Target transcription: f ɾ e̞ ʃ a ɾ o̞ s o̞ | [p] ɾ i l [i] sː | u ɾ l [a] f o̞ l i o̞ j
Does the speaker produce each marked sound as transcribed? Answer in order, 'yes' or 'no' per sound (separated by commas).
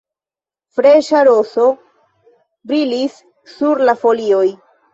no, yes, yes